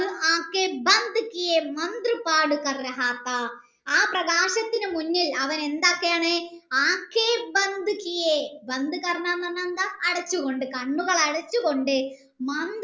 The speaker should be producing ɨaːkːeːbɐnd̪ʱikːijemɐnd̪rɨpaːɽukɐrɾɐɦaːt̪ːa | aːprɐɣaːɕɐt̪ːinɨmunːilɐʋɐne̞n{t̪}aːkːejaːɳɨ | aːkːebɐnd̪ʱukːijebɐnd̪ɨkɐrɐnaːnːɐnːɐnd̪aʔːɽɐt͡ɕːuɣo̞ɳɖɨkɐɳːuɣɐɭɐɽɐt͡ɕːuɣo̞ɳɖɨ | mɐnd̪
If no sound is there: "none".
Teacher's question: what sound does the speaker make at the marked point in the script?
d̪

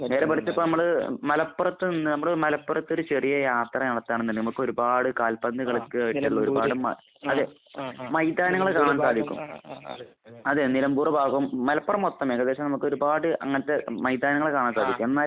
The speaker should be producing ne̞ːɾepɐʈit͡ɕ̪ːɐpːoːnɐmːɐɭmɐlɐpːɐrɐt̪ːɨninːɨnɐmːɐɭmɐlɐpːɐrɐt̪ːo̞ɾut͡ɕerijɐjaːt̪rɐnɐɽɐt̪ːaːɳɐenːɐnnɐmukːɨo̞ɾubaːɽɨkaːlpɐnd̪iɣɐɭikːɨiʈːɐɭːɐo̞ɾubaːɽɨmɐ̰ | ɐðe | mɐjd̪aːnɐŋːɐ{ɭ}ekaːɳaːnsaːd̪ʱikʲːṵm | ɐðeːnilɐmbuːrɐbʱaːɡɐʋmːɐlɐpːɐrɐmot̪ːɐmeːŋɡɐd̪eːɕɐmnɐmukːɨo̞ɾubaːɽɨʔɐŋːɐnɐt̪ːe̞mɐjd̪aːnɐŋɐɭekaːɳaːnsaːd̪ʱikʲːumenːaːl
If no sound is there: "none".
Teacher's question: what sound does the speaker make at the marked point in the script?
ɭ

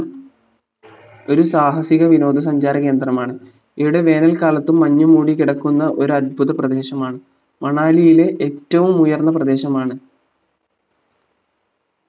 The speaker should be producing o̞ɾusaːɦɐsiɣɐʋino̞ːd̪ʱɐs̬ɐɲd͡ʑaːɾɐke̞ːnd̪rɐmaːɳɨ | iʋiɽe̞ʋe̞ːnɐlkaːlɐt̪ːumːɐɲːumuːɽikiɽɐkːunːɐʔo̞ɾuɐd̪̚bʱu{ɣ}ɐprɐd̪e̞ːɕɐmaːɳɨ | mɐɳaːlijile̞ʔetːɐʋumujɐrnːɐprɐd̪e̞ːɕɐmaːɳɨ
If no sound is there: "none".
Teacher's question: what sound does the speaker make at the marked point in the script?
ð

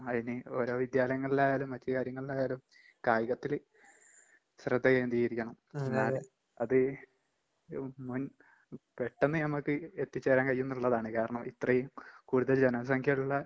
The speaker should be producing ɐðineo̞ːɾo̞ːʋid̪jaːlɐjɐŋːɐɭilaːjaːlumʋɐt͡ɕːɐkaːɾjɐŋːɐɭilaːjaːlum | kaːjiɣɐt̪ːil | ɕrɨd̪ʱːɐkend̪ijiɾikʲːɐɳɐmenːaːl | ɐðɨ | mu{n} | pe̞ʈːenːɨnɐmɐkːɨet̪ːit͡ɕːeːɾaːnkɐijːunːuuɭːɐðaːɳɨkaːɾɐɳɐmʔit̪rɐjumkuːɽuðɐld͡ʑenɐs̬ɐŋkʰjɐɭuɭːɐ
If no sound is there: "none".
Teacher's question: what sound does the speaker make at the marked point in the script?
n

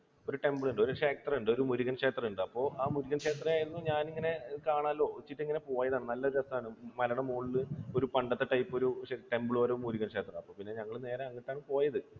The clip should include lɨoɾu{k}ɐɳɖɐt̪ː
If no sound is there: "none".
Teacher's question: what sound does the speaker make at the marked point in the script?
p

